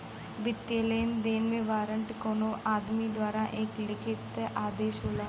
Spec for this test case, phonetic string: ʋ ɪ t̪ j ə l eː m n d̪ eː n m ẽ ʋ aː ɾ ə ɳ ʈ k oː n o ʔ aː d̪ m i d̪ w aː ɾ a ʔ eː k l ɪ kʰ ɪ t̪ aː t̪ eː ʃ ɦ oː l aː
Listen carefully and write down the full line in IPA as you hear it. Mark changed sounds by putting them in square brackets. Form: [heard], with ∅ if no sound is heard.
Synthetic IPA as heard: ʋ ɪ t̪ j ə l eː [∅] n d̪ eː n m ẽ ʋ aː ɾ ə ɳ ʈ k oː n o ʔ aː d̪ m i d̪ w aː ɾ a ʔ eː k l ɪ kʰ ɪ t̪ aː [d̪] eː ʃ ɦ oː l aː